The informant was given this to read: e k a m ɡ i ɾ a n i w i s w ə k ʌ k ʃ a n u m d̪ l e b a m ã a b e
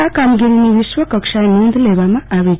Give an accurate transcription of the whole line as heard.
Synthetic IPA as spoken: a k a m ɡ i ɾ i n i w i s w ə k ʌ k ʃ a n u n d̪ l e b a m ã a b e

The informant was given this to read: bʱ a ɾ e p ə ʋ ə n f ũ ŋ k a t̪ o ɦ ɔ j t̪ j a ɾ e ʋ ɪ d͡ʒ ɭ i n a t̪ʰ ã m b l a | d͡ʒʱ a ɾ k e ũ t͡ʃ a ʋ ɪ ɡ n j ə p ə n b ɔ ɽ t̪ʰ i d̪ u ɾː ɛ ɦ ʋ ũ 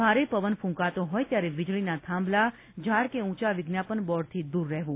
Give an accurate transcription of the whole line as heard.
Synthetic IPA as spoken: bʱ a ɾ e p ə ʋ ə n f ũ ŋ k a t̪ o ɦ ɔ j t̪ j a ɾ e ʋ ɪ d͡ʒ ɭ i n a t̪ʰ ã m b l a | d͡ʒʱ a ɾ k e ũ t͡ʃ a ʋ ɪ ɡ n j a p ə n b ɔ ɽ t̪ʰ i d̪ u ɾː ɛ ɦ ʋ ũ

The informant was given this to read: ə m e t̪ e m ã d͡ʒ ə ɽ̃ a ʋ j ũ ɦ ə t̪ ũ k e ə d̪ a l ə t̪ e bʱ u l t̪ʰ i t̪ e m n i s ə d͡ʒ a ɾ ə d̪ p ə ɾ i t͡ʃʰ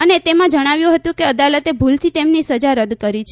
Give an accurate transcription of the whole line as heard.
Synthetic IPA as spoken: ə n e t̪ e m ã d͡ʒ ə ɽ̃ a ʋ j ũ ɦ ə t̪ ũ k e ə d̪ a l ə t̪ e bʱ u l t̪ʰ i t̪ e m n i s ə d͡ʒ a ɾ ə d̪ k ə ɾ i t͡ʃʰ

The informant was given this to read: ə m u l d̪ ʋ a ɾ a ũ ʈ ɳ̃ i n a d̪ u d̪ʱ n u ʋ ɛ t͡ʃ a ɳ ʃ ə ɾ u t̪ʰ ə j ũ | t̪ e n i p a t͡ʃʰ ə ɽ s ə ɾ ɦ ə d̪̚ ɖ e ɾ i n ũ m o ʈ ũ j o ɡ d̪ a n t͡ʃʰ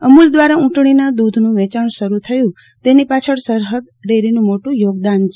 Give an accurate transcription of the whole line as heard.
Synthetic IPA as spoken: ə m u l d̪ ʋ a ɾ a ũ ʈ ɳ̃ i n a d̪ u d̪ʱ n ũ ʋ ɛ t͡ʃ a ɳ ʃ ə ɾ u t̪ʰ ə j ũ | t̪ e n i p a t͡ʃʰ ə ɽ s ə ɾ ɦ ə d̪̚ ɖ e ɾ i n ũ m o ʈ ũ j o ɡ d̪ a n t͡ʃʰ

